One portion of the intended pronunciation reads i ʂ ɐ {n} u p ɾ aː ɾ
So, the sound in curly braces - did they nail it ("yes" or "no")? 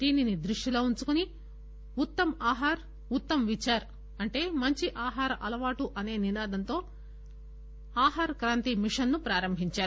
no